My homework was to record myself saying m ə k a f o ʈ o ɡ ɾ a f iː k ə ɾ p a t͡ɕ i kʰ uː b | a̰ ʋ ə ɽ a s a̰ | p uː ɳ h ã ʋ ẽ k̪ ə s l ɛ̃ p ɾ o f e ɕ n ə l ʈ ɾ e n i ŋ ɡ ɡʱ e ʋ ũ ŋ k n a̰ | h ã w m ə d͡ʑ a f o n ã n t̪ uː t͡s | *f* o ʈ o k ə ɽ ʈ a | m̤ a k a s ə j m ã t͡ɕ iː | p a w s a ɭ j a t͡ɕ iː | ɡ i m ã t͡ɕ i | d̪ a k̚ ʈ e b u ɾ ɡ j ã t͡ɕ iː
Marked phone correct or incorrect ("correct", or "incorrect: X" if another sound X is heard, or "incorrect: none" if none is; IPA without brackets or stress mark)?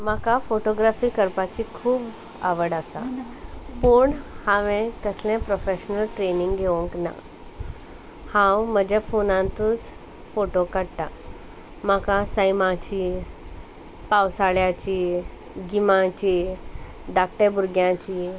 correct